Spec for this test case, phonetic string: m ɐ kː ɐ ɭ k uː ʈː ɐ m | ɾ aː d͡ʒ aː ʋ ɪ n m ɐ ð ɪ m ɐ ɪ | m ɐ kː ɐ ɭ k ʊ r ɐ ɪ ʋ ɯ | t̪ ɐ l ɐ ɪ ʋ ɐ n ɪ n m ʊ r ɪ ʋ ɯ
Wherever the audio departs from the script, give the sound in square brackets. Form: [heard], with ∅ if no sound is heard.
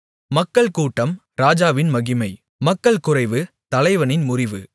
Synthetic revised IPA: m ɐ kː ɐ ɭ k uː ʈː ɐ m | ɾ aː d͡ʒ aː ʋ ɪ n m ɐ [ɣ] ɪ m ɐ ɪ | m ɐ kː ɐ ɭ k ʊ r ɐ ɪ ʋ ɯ | t̪ ɐ l ɐ ɪ ʋ ɐ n ɪ n m ʊ r ɪ ʋ ɯ